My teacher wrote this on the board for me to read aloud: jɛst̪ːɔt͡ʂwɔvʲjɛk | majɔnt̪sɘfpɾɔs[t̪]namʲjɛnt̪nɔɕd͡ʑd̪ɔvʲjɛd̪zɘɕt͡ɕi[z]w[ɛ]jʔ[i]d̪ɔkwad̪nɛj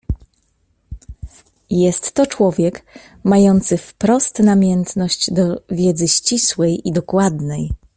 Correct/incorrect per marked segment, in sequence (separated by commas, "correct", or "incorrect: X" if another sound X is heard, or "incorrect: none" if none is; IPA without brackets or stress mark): correct, incorrect: s, correct, correct